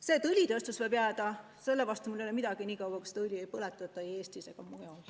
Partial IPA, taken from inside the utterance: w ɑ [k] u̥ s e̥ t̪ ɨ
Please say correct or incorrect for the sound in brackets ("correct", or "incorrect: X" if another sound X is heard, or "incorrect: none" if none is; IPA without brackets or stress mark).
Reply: correct